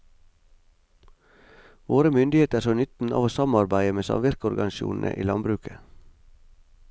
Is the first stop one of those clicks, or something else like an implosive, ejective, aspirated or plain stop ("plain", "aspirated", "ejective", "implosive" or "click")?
plain